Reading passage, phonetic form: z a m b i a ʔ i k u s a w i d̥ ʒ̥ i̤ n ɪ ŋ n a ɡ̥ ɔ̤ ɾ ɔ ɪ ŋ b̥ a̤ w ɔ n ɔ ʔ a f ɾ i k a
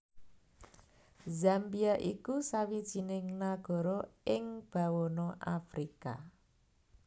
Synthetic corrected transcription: z a m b i a ʔ i k u s a w i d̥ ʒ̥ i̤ n ɪ ŋ n a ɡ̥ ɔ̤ ɾ ɔ ɪ ŋ b̥ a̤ w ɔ n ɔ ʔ a f ɾ i k a

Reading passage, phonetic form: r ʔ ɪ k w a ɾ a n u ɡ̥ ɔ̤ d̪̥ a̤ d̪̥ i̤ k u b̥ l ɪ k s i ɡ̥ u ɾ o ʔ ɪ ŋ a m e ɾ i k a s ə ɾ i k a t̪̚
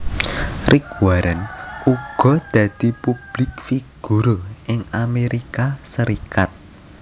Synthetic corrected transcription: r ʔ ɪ k w a ɾ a n u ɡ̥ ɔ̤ d̪̥ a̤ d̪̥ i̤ p u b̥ l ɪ k f i ɡ̥ u ɾ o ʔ ɪ ŋ a m e ɾ i k a s ə ɾ i k a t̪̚

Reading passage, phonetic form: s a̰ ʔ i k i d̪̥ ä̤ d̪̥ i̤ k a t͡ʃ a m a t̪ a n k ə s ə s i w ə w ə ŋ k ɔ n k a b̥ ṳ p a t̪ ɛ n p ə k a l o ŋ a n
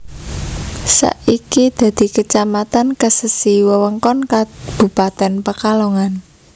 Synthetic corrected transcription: s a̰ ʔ i k i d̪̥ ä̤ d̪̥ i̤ k ə t͡ʃ a m a t̪ a n k ə s ə s i w ə w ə ŋ k ɔ n k a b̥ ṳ p a t̪ ɛ n p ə k a l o ŋ a n

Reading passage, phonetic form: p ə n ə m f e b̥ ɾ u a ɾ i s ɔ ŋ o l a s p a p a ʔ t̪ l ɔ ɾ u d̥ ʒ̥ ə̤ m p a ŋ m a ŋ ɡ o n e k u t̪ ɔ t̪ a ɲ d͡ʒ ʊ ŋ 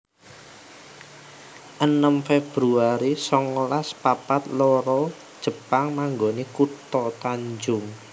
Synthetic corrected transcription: ʔ ə n ə m f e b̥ ɾ u a ɾ i s ɔ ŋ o l a s p a p a t̪ l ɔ ɾ ɔ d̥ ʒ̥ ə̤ p a ŋ m a ŋ ɡ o n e k u t̪ ɔ t̪ a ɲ d͡ʒ ʊ ŋ

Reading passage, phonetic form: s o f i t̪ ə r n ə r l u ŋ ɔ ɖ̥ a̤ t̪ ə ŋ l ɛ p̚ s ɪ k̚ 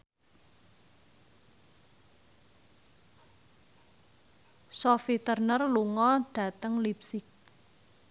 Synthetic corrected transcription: s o f i t̪ ə r n ə r l u ŋ ɔ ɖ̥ a̤ t̪ ə ŋ l i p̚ s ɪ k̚

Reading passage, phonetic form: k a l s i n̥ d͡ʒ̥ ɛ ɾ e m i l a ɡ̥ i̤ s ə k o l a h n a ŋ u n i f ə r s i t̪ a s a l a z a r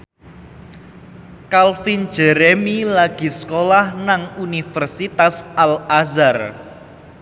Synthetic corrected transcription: k a l f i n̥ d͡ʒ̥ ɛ ɾ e m i l a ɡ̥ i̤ s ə k o l a h n a ŋ u n i f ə r s i t̪ a s a l a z a r

